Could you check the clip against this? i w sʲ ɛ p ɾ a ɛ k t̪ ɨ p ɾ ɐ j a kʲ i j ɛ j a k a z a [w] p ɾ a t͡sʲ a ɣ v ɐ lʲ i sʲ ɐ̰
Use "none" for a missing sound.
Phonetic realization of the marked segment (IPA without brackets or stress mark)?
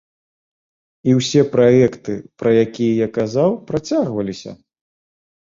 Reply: w